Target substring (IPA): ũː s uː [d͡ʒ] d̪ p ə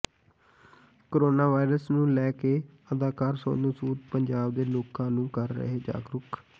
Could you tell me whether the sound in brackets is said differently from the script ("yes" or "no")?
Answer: yes